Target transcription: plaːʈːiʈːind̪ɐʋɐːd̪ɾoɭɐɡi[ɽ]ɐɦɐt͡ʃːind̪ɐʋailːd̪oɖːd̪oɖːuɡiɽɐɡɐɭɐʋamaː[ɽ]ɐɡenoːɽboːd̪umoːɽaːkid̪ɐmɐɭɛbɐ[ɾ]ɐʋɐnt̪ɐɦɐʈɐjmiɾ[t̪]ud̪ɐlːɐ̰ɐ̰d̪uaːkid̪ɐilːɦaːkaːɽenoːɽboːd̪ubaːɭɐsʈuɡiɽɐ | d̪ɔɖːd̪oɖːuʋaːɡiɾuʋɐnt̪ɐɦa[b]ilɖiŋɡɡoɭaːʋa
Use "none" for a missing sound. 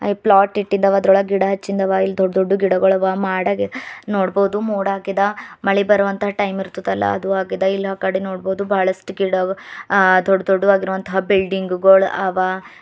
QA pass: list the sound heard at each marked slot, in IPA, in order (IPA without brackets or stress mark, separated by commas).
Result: ɽ, ɽ, ɾ, t̪, b